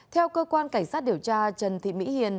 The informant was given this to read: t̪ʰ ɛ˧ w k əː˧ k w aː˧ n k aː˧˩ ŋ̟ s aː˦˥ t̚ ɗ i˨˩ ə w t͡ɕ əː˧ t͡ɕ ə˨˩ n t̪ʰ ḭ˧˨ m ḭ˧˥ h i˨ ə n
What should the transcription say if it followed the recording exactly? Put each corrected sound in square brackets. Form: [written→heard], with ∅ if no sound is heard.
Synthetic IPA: t̪ʰ ɛ˧ w k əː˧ k w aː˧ n k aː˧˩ ŋ̟ s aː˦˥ t̚ ɗ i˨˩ ə w t͡ɕ [əː˧→aː˧] t͡ɕ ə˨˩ n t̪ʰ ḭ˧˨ m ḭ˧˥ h i˨ ə n

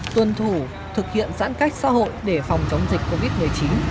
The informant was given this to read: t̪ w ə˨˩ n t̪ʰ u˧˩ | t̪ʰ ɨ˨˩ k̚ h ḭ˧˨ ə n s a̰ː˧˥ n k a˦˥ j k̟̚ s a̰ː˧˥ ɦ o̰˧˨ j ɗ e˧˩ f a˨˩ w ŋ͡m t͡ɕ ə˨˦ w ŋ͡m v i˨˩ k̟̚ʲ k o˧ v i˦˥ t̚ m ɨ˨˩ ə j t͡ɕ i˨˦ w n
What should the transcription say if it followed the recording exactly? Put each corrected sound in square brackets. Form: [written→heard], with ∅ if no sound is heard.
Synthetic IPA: t̪ w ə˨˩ n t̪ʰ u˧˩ | t̪ʰ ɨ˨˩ k̚ h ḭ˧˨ ə n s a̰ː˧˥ n k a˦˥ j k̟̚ s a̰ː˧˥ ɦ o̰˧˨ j ɗ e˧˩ f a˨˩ w ŋ͡m t͡ɕ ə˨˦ w ŋ͡m [v→z] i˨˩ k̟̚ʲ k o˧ v i˦˥ t̚ m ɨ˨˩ ə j t͡ɕ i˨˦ [w→∅] n

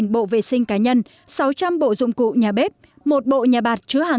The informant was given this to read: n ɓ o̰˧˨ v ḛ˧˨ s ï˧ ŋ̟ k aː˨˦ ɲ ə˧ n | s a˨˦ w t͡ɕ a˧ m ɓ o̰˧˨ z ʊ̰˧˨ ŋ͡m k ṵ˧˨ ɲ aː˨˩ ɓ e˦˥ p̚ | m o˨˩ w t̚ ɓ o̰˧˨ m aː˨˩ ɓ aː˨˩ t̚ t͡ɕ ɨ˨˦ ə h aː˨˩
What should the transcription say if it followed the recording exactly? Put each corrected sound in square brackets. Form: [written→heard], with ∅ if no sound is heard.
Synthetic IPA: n ɓ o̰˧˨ v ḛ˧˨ s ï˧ ŋ̟ k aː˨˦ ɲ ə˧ n | s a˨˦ w t͡ɕ a˧ m ɓ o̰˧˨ z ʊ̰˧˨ ŋ͡m k ṵ˧˨ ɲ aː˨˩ ɓ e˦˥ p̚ | m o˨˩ [w→∅] t̚ ɓ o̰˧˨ [m→ɲ] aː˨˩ ɓ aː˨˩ t̚ t͡ɕ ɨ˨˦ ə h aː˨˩

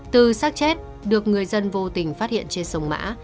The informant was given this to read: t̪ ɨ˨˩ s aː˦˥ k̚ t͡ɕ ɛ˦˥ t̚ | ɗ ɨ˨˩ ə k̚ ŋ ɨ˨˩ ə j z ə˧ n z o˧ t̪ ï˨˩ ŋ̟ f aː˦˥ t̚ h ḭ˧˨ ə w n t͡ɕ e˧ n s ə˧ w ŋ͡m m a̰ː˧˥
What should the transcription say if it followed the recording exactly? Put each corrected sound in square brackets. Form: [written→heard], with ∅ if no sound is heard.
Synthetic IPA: t̪ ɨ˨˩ s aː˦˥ k̚ t͡ɕ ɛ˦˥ t̚ | ɗ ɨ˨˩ ə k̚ ŋ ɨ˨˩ ə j z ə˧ n [z→v] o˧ t̪ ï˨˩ ŋ̟ f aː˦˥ t̚ h ḭ˧˨ ə [w→∅] n t͡ɕ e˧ n s ə˧ w ŋ͡m m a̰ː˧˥

